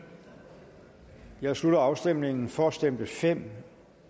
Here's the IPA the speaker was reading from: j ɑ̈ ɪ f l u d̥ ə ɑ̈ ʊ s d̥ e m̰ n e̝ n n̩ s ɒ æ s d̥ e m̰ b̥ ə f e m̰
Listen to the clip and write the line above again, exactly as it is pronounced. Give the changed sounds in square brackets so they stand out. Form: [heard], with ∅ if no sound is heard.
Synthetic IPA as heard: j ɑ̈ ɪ [s] l u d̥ [ɐ] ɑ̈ ʊ s d̥ e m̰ n e̝ [ŋ] n̩ [f] ɒ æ s d̥ e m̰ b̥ ə f e m̰